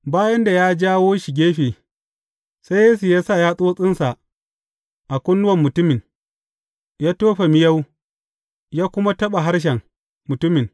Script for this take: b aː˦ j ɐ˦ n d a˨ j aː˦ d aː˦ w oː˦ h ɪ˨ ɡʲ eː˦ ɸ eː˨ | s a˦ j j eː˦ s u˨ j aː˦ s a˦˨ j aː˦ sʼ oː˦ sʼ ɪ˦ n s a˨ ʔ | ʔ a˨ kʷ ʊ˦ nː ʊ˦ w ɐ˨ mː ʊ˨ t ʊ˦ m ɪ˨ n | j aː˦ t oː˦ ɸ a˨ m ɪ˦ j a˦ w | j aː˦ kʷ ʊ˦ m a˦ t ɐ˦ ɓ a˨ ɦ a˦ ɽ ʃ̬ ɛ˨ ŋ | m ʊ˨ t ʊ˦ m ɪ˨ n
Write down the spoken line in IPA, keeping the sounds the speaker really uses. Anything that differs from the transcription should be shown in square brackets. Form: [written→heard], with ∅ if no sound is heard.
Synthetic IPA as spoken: b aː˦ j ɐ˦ n d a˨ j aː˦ [d→d͡ʒ] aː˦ w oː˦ [h→ʃ] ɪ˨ ɡʲ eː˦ ɸ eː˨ | s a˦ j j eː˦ s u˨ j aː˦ s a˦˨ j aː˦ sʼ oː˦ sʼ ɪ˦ n s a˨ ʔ | ʔ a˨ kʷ ʊ˦ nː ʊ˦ w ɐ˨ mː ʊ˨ t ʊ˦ m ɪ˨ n | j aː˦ t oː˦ ɸ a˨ m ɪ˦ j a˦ w | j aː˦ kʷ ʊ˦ m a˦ t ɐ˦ ɓ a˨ ɦ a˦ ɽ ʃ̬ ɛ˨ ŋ | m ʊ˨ t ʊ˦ m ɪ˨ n